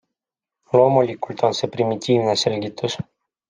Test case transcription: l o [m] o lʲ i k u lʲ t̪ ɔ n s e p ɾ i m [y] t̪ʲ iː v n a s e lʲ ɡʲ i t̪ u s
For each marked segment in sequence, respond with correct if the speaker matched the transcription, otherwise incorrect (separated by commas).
correct, incorrect